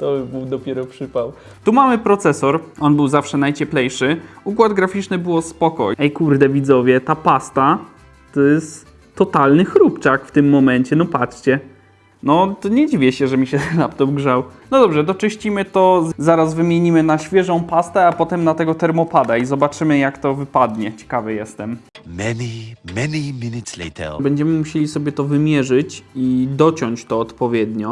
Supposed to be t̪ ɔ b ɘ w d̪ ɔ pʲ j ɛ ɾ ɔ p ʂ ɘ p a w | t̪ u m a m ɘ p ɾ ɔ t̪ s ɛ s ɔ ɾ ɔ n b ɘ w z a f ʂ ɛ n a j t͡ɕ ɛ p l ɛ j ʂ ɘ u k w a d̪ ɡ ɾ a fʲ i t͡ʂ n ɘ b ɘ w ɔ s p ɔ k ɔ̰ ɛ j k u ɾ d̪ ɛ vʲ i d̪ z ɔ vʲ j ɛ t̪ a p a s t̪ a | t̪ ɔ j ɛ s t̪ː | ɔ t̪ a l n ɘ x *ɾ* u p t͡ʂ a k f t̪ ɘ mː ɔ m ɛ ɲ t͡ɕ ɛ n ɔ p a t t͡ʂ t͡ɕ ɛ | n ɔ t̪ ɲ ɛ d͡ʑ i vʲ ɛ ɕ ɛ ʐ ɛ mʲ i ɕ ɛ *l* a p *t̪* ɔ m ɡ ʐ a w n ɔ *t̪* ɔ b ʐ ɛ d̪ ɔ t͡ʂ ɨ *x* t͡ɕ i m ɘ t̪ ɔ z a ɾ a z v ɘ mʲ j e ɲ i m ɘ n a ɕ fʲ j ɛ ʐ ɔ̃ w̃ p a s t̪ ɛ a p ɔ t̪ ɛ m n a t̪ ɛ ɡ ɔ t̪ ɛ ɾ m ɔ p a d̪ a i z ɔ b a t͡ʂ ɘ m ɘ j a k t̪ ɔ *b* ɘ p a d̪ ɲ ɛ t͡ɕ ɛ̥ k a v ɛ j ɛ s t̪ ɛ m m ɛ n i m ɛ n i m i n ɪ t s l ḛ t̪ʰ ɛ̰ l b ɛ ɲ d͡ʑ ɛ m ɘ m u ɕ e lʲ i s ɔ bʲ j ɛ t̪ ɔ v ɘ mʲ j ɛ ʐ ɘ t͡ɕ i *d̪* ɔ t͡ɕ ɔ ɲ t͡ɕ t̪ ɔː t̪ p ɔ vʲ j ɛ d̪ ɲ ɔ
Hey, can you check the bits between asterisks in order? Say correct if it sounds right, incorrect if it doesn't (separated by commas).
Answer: correct, correct, correct, incorrect, incorrect, incorrect, correct